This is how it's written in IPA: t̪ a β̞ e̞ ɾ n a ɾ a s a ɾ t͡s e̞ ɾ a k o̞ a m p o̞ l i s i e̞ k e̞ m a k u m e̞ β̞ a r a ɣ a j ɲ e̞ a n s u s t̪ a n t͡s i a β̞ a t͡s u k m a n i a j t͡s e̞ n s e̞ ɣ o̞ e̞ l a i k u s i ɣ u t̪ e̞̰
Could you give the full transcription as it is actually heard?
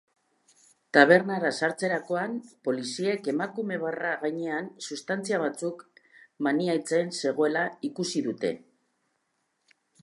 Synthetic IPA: t̪ a β̞ e̞ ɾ n a ɾ a s a ɾ t͡s e̞ ɾ a k o̞ a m p o̞ l i s i e̞ k e̞ m a k u m e̞ β̞ a r a ɣ a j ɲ e̞ a n s u s t̪ a n t͡s i a β̞ a t͡s u k m a n i a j t͡s e̞ n s e̞ ɣ o̞ e̞ l a i k u s i ð u t̪ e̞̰